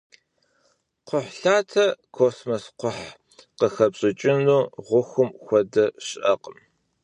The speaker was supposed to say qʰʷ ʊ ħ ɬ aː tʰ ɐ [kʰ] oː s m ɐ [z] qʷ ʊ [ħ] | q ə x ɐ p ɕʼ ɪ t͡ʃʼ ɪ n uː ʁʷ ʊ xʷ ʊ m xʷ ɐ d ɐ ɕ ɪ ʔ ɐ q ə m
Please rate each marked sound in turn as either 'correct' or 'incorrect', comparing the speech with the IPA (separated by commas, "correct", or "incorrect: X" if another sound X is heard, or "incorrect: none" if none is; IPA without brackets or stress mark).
correct, incorrect: s, correct